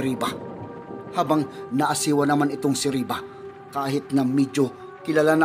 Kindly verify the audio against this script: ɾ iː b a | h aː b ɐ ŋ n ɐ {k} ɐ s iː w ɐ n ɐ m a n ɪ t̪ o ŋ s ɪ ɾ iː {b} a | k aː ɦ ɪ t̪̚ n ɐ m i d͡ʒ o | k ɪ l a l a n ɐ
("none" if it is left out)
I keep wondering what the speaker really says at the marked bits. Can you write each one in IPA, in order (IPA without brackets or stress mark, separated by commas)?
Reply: ʔ, b